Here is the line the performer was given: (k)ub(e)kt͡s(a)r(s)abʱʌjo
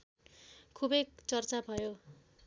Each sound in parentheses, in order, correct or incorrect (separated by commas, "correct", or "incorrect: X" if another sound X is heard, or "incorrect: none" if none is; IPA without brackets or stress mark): incorrect: kʰ, correct, incorrect: ʌ, incorrect: t͡s